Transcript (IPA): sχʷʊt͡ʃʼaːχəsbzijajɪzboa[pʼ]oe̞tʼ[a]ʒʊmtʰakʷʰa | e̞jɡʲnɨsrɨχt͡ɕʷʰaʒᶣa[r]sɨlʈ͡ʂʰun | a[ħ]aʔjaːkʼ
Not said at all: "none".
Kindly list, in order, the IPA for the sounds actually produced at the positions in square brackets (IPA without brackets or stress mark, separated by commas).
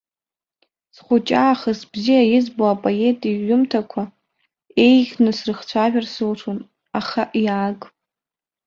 pʼ, i, r, χ